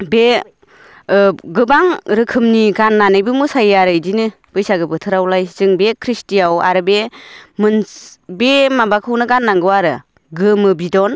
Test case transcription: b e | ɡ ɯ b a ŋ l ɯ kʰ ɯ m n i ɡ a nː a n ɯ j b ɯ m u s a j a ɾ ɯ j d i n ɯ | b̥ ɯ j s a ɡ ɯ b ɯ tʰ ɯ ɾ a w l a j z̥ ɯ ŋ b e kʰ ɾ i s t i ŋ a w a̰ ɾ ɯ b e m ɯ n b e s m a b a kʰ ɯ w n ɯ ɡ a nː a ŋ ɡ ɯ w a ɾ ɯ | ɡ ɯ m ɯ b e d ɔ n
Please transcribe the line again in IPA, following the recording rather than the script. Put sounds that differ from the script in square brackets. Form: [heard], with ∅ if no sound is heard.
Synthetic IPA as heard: b e | ɡ ɯ b a ŋ [ɾ] ɯ kʰ ɯ m n i ɡ a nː a n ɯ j b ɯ m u s a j a ɾ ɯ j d i n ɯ | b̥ ɯ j s a ɡ ɯ b ɯ tʰ ɯ ɾ a w l a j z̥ ɯ ŋ b e kʰ ɾ i s t i [∅] a w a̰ ɾ ɯ b e m ɯ n b e [∅] m a b a kʰ ɯ w n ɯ ɡ a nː a ŋ ɡ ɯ w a ɾ ɯ | ɡ ɯ m ɯ b [i] d ɔ n